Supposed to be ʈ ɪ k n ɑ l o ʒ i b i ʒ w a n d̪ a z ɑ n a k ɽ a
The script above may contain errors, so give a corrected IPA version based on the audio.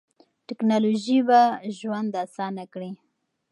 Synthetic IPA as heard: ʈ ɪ k n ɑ l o ʒ i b a ʒ w a n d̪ a s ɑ n a k ɽ i